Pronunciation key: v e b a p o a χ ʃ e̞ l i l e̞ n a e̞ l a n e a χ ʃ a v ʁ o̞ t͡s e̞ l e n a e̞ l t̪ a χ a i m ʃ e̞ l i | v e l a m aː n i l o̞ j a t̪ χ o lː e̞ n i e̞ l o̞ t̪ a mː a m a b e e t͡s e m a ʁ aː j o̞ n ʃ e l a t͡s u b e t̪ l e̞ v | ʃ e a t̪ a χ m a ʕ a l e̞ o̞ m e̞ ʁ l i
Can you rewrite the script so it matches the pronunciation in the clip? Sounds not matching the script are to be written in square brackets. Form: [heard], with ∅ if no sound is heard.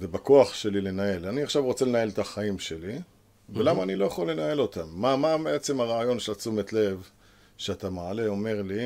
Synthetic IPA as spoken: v e b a [k] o a χ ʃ e̞ l i l e̞ n a e̞ l a n [i] a χ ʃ a v ʁ o̞ t͡s e̞ l e n a e̞ l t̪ a χ a i m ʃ e̞ l i | v e l a m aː n i l o̞ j a [∅] χ o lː e̞ n [a] e̞ l o̞ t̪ a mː a m a b e e t͡s e m a ʁ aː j o̞ n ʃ e l a t͡s u [m] e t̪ l e̞ v | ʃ e a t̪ a [∅] m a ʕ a l e̞ o̞ m e̞ ʁ l i